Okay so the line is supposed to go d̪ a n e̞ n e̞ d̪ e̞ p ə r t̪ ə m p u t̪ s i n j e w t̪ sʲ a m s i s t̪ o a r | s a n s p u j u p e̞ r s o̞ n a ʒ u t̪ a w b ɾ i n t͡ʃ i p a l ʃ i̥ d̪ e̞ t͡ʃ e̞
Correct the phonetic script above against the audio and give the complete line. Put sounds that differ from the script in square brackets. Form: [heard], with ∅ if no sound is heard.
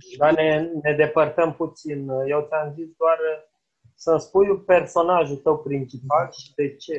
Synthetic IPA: d̪ a n e̞ n e̞ d̪ e̞ p ə r t̪ ə m p u t̪ s i n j e w t̪ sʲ a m [z] i s [d̪] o a r | s [ə] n s p u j u p e̞ r s o̞ n a ʒ u t̪ [ə] w [p] ɾ i n t͡ʃ i p a l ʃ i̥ d̪ e̞ t͡ʃ e̞